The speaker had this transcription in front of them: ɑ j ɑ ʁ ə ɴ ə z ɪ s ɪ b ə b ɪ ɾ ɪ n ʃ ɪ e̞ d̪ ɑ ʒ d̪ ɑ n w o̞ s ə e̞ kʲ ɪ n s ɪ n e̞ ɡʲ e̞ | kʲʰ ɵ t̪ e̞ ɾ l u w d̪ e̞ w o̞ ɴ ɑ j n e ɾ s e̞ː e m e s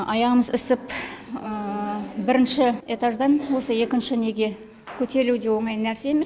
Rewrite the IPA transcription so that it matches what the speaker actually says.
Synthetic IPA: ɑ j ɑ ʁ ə m ə z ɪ s ɪ p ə b ɪ ɾ ɪ n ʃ ɪ e̞ t̪ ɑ ʒ d̪ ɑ n w o̞ s ə e̞ kʲ ɪ n ʃ ɪ n e̞ ɡʲ e̞ | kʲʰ ɵ t̪ e̞ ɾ l u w d̪ e̞ w o̞ ɴ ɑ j n æ ɾ s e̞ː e m e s